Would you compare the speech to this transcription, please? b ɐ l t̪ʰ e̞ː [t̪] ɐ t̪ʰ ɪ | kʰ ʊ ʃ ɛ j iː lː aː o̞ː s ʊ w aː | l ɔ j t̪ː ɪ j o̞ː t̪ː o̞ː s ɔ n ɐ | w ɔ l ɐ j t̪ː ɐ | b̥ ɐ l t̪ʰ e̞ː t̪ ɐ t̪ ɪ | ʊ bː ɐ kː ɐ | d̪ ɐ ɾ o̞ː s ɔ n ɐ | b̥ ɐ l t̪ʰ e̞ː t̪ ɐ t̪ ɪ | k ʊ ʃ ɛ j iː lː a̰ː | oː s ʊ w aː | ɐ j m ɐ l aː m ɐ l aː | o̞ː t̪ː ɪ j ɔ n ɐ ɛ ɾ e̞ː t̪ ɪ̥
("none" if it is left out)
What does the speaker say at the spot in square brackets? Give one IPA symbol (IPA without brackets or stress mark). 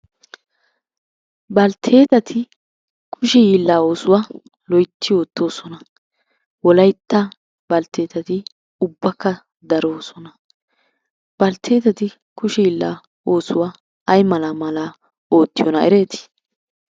t̪